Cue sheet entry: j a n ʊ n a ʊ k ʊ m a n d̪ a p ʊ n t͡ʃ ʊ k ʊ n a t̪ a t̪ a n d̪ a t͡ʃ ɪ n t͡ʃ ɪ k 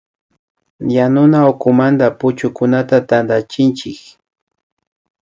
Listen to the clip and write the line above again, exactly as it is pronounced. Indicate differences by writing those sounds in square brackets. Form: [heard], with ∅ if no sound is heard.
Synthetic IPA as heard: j a n ʊ n a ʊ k ʊ m a n d̪ a p ʊ [∅] t͡ʃ ʊ k ʊ n a t̪ a t̪ a n d̪ a t͡ʃ ɪ n t͡ʃ ɪ k